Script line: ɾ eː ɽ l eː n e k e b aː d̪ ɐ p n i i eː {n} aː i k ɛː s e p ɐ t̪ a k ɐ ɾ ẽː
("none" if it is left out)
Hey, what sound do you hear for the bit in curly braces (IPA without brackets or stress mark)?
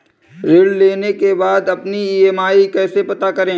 m